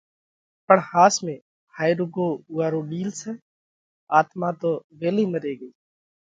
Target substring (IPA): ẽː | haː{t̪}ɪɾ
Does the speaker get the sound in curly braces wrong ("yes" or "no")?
yes